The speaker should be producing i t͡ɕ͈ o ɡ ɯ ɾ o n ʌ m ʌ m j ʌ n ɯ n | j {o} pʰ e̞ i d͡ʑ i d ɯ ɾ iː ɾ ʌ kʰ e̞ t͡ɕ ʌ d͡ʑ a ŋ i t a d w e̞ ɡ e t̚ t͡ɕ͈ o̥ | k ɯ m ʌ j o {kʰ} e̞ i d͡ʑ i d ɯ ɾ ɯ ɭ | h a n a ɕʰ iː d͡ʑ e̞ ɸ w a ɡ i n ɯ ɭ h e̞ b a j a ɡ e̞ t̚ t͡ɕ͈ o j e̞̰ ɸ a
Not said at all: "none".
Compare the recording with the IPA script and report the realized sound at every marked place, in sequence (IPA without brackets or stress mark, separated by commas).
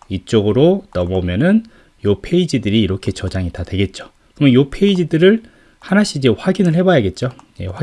o, pʰ